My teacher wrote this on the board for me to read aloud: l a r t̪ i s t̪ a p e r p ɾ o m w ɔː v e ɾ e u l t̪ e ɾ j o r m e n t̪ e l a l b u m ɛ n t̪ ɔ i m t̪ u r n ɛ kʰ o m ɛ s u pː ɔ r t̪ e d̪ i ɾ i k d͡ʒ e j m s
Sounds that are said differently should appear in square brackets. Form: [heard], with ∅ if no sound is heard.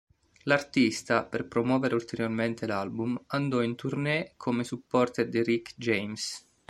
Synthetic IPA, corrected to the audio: l a r t̪ i s t̪ a p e r p ɾ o m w ɔː v e ɾ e u l t̪ e ɾ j o r m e n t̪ e l a l b u m [a] n [d̪] ɔ i [n] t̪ u r n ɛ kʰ o m [e] s u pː ɔ r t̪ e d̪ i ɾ i k d͡ʒ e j m s